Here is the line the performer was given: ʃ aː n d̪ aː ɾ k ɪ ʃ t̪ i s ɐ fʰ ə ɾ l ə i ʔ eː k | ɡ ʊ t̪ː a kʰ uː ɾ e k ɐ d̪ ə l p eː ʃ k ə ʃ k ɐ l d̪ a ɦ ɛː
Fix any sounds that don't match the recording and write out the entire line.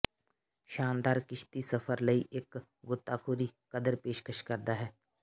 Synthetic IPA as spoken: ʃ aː n d̪ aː ɾ k ɪ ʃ t̪ i s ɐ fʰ ə ɾ l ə i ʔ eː k | ɡ ʊ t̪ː a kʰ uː ɾ i k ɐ d̪ ə ɾ p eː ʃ k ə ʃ k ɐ ɾ d̪ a ɦ ɛː